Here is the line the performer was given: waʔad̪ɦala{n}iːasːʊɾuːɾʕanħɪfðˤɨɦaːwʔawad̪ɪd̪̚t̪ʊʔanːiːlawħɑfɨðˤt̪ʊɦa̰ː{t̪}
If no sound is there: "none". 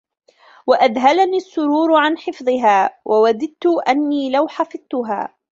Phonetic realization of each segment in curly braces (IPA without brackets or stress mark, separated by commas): n, none